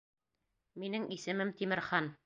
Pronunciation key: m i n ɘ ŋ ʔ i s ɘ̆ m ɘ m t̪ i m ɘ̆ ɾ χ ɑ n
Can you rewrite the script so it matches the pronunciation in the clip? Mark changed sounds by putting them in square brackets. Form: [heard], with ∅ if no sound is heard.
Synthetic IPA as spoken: m i n ɘ ŋ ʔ i s ɘ̆ m ɘ m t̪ i m ɘ̆ ɾ χ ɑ n